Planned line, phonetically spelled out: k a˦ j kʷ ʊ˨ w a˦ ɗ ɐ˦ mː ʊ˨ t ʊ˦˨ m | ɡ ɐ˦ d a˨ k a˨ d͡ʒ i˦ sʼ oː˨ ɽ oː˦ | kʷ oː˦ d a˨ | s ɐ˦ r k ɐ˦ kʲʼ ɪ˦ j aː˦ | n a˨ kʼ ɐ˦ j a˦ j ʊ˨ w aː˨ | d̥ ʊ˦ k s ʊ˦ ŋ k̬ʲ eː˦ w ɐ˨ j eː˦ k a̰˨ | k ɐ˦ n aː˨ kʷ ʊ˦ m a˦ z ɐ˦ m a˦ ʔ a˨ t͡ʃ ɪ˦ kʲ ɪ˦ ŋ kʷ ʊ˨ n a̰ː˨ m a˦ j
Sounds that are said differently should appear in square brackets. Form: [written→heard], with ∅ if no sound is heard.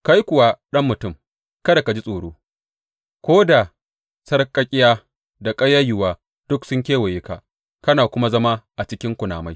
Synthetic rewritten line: k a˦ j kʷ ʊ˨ w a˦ ɗ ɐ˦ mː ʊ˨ t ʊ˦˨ m | [ɡ→k] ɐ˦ d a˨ k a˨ d͡ʒ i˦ sʼ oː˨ ɽ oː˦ | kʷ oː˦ d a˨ | s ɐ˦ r [k→kʼ] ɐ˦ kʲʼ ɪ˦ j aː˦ | [n→d] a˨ kʼ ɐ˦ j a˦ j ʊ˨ w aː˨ | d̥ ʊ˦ k s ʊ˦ ŋ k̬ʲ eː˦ w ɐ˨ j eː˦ k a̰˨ | k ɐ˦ n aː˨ kʷ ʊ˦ m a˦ z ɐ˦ m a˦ ʔ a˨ t͡ʃ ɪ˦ kʲ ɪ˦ ŋ kʷ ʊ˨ n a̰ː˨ m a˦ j